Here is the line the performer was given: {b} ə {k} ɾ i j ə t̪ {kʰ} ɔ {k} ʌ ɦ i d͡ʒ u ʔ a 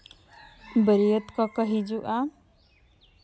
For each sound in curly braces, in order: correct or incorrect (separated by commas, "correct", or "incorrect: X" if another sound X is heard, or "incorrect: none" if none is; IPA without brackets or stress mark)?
correct, incorrect: none, incorrect: k, correct